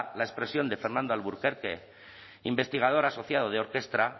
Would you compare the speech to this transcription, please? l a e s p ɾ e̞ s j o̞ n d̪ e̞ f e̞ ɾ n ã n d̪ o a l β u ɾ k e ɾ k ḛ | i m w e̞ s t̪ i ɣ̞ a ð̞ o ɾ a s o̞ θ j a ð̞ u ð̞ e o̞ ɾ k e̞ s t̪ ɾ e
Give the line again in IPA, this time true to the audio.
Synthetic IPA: l a e s p ɾ e̞ s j o̞ n d̪ e̞ f e̞ ɾ n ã n d̪ o a l β u ɾ k e ɾ k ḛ | i m b e̞ s t̪ i ɣ̞ a ð̞ o ɾ a s o̞ θ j a ð̞ o ð̞ e o̞ ɾ k e̞ s t̪ ɾ a